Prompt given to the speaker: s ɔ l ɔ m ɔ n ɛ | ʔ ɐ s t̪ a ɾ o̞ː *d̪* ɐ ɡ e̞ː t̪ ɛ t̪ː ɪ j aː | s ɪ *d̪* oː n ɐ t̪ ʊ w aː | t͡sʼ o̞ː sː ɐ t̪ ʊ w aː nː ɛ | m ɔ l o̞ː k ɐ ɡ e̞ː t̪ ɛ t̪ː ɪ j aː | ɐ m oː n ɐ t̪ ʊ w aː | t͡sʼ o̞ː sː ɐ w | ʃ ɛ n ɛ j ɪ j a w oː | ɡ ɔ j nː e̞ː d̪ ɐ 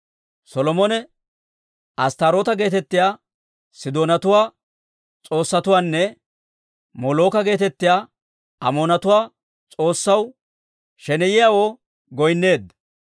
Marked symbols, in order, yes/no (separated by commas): no, yes